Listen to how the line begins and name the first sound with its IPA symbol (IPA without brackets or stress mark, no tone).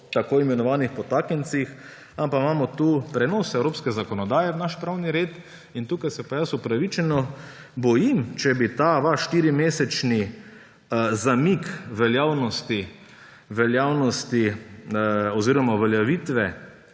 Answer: t̪